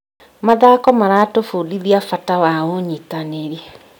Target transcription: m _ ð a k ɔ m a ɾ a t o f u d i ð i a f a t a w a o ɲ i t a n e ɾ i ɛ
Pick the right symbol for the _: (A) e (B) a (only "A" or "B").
B